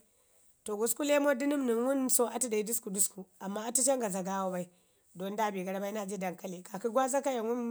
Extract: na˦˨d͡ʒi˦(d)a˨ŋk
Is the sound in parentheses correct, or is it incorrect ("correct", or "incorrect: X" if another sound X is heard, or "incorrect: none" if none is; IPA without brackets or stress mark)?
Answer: correct